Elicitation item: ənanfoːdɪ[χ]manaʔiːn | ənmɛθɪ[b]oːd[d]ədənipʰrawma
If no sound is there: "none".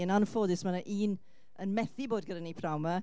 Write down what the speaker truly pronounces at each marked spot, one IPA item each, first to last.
s, b, ɡ

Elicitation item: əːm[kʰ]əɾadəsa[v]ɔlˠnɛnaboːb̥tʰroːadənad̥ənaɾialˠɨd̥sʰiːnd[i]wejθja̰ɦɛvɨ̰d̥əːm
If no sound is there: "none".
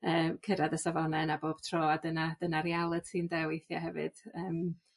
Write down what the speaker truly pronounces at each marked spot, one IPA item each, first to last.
kʰ, v, ɛ

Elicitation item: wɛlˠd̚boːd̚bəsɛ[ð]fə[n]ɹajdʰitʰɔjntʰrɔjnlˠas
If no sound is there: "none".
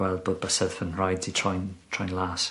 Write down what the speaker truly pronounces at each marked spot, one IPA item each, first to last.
ð, n

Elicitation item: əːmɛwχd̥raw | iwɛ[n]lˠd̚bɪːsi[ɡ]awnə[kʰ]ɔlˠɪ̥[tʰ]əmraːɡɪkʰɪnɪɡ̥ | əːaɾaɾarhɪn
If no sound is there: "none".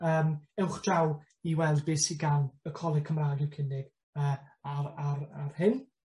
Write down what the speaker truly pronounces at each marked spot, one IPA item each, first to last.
none, ɡ, kʰ, kʰ

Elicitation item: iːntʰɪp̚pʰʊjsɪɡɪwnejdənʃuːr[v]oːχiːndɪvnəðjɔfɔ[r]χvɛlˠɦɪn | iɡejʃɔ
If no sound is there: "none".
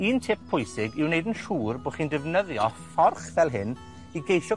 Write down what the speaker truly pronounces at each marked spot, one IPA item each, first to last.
b, r

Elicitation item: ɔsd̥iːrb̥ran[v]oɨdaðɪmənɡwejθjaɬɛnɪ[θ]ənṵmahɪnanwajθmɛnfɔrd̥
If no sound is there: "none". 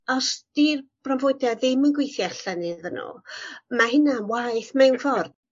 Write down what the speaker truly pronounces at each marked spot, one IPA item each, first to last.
v, ð

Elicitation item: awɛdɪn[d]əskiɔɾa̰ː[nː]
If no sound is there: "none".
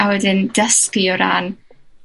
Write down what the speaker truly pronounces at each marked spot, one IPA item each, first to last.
d, n

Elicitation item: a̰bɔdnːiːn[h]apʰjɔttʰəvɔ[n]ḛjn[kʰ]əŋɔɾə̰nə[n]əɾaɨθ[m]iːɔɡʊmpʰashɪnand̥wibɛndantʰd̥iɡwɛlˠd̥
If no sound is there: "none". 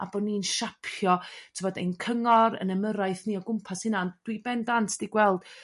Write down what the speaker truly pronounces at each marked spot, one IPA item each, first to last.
ʃ, d, kʰ, m, n

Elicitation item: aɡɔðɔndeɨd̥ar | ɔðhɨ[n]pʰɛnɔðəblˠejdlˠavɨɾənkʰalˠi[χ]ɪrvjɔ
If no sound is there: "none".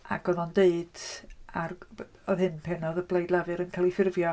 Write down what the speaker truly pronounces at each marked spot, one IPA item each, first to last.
n, f

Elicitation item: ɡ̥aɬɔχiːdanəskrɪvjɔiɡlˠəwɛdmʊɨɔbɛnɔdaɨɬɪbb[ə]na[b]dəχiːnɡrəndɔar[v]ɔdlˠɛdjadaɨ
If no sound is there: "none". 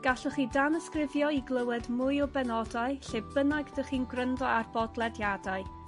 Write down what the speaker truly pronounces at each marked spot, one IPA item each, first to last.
ə, ɡ, b

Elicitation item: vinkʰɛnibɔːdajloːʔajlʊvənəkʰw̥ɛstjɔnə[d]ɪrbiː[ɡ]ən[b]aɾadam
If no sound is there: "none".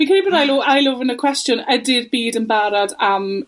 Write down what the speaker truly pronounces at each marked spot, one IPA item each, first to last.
d, d, b

